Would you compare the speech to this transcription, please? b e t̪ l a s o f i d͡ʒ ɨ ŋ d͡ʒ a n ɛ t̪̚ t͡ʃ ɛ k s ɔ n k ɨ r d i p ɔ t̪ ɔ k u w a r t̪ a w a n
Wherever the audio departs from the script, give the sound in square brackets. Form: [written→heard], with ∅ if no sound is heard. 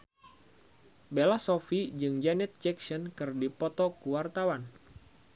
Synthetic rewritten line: b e [t̪→∅] l a s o f i d͡ʒ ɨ ŋ d͡ʒ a n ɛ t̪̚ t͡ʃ ɛ k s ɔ n k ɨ r d i p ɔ t̪ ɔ k u w a r t̪ a w a n